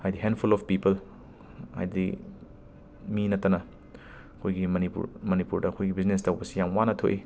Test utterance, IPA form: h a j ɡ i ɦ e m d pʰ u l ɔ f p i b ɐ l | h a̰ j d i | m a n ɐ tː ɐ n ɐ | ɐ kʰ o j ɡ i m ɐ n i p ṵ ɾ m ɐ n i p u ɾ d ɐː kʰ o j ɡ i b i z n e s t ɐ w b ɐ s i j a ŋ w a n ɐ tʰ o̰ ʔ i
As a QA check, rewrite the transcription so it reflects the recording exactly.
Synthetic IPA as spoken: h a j d i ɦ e n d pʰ u l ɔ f p i p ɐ l | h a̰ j d i | m i n ɐ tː ɐ n ɐ | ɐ kʰ o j ɡ i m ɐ n i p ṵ ɾ m ɐ n i p u ɾ d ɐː kʰ o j ɡ i b i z n e s t ɐ w b ɐ s i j a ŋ w a n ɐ tʰ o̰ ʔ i